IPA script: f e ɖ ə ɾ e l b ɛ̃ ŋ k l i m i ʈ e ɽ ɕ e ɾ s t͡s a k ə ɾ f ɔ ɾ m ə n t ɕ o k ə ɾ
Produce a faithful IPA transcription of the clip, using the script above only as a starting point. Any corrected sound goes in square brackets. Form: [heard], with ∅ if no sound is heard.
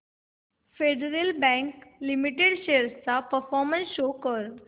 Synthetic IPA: f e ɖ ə ɾ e l b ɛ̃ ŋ k l i m i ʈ e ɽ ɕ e ɾ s t͡s a [p] ə ɾ f ɔ ɾ m ə n [s] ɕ o k ə ɾ

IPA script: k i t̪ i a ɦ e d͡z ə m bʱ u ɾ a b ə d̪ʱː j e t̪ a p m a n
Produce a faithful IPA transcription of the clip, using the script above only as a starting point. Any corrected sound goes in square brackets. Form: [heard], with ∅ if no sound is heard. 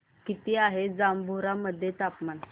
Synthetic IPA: k i t̪ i a ɦ e d͡z [a] m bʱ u ɾ a [m] ə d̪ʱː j e t̪ a p m a n

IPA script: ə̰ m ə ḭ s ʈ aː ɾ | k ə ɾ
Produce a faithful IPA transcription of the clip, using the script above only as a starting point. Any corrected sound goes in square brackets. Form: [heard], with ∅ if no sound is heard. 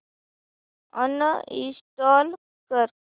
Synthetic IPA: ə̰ [n] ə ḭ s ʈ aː [l] | k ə ɾ

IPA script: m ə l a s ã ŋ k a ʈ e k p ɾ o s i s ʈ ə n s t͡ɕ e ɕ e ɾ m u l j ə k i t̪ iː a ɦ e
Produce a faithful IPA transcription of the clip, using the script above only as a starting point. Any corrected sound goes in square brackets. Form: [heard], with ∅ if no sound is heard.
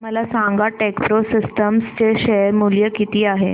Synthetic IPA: m ə l a s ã ŋ [ɡ] a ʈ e k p ɾ o s i s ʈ ə [m] s t͡ɕ e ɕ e ɾ m u l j ə k i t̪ iː a ɦ e

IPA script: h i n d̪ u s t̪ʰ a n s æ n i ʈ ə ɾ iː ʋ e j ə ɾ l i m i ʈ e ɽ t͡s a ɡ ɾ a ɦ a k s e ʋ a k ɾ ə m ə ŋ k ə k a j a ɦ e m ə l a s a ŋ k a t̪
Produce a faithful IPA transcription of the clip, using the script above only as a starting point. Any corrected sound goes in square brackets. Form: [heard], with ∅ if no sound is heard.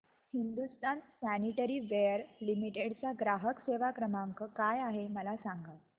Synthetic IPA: h i n d̪ u s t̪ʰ a n s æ n i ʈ ə ɾ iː ʋ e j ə ɾ l i m i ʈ e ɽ t͡s a ɡ ɾ a ɦ [ə] k s e ʋ a k ɾ ə m [a] ŋ k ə k a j a ɦ e m ə l a s a ŋ [ɡ] a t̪

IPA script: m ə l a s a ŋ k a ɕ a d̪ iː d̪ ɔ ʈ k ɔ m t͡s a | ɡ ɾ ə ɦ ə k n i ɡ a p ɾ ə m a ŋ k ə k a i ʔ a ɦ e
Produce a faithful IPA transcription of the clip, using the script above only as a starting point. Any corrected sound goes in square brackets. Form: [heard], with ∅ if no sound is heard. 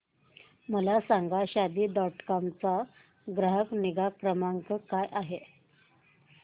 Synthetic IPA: m ə l a s a ŋ [ɡ] a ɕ a d̪ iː d̪ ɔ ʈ k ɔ m t͡s a | ɡ ɾ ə ɦ ə k n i ɡ a [k] ɾ ə m a ŋ k ə k a [j] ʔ a ɦ e

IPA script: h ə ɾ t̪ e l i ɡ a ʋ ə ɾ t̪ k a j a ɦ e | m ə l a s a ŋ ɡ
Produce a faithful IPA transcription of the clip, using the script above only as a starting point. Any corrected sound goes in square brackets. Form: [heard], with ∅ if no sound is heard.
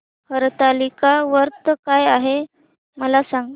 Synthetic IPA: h ə ɾ t̪ [a] l i [k] a ʋ ə ɾ t̪ k a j a ɦ e | m ə l a s a ŋ ɡ

